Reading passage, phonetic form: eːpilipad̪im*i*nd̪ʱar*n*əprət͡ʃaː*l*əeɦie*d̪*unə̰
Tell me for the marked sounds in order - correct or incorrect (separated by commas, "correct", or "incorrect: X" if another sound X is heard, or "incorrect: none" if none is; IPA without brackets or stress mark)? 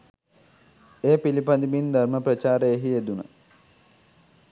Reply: correct, incorrect: m, incorrect: ɾ, correct